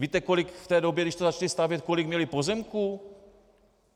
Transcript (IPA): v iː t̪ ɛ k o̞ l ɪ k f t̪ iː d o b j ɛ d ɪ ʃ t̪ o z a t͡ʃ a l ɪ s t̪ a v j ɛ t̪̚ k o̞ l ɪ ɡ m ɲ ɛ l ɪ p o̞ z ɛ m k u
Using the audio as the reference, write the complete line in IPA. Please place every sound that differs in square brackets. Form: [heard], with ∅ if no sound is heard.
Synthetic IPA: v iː t̪ ɛ k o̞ l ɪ k f t̪ [ɛː] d o b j ɛ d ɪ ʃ t̪ o z a t͡ʃ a l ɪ s t̪ a v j ɛ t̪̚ k o̞ l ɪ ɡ m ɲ ɛ l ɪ p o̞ z ɛ m k u